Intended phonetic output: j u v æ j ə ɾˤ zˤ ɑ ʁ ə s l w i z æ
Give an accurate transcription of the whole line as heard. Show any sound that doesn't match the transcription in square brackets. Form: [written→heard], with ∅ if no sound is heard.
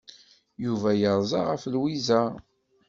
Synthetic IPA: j u v æ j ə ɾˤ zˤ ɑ ʁ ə [s→f] l w i z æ